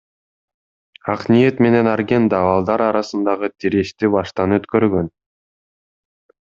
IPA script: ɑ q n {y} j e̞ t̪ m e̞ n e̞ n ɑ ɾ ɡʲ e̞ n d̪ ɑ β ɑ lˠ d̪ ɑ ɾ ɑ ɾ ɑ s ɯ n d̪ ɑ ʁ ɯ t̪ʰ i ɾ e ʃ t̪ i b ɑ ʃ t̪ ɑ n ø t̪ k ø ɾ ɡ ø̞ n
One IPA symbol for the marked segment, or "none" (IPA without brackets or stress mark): i